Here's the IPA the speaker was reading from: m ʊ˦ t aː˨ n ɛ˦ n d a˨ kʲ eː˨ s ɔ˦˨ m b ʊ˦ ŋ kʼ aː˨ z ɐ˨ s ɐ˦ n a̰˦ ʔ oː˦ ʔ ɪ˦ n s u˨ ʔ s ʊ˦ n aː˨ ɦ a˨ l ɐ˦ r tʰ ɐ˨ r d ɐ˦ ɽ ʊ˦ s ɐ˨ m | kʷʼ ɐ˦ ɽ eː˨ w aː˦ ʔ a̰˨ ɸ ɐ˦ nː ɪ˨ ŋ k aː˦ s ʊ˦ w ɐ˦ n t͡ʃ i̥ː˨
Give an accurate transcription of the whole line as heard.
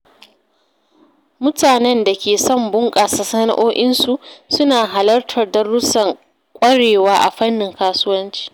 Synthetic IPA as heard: m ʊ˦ t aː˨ n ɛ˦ n d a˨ kʲ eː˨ s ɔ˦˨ m b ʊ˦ ŋ kʼ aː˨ s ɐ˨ s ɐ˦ n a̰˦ ʔ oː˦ ʔ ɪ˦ n s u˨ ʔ s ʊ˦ n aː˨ ɦ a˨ l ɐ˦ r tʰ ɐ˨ r d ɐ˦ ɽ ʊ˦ s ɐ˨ ŋ | kʷʼ ɐ˦ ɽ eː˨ w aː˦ ʔ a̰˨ ɸ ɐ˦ nː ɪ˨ ŋ k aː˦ s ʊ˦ w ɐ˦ n t͡ʃ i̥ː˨